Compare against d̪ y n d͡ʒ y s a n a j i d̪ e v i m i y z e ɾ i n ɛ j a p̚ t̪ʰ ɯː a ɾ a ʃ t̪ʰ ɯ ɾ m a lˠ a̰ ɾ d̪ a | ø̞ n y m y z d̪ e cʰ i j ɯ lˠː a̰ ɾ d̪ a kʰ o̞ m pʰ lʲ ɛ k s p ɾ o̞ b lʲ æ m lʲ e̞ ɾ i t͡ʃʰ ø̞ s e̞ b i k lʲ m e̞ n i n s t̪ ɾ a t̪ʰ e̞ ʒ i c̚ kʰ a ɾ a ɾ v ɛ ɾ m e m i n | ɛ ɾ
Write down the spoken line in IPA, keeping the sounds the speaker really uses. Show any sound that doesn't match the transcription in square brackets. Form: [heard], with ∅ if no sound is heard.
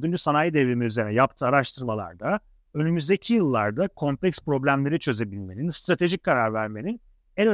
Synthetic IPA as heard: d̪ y n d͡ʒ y s a n a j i d̪ e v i m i y z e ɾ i n ɛ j a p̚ t̪ʰ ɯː a ɾ a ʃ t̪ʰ ɯ ɾ m a lˠ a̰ ɾ d̪ a | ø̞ n y m y z d̪ e cʰ i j ɯ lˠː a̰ ɾ d̪ a kʰ o̞ m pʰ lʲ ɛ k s p ɾ o̞ b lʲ æ m lʲ e̞ ɾ i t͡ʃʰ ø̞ [z] e̞ b i [∅] lʲ m e̞ n i n s t̪ ɾ a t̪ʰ e̞ ʒ i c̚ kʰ a ɾ a ɾ v [æ] ɾ m e [n] i n | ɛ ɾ